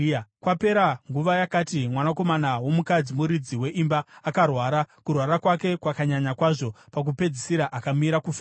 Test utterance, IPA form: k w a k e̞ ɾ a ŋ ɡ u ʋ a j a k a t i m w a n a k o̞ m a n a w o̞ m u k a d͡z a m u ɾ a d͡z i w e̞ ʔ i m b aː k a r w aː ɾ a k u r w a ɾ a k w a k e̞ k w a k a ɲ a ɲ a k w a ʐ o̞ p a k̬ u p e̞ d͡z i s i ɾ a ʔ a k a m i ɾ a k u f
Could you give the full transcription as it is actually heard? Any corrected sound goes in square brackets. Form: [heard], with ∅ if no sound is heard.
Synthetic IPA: k w a [p] e̞ ɾ a ŋ ɡ u ʋ a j a k a t i m w a n a k o̞ m a n a w o̞ m u k a d͡z [i] m u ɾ [i] d͡z i w e̞ ʔ i m b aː k a r w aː ɾ a k u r w a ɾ a k w a k e̞ k w a k a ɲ a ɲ a k w a ʐ o̞ p a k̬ u p e̞ d͡z i s i ɾ a ʔ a k a m i ɾ a k u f